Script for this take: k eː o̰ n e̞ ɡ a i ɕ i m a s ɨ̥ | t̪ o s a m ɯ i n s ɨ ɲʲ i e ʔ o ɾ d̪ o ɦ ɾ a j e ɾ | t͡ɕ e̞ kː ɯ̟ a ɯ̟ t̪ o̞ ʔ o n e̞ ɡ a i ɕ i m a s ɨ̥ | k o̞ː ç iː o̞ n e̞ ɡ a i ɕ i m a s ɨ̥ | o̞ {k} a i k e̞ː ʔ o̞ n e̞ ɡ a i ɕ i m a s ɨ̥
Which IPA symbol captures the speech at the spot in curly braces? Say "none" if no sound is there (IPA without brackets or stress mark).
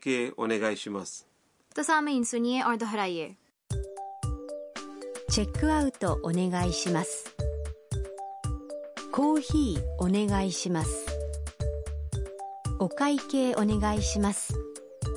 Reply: k